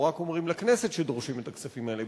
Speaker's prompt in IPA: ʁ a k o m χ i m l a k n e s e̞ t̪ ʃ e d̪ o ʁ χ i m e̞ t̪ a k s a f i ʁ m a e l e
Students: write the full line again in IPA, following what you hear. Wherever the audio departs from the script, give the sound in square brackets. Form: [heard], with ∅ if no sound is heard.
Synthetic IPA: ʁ a k o m [ʁ] i m l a k n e s e̞ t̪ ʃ e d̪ o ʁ [ʃ] i m e̞ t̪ a k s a f i [∅] m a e l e